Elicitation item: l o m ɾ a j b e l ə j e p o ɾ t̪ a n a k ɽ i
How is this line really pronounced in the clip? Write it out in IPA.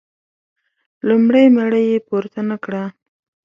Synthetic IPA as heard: l u m ɽ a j m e ɽ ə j e p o ɾ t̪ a n a k ɽ a